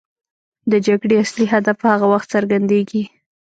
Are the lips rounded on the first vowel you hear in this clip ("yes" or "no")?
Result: no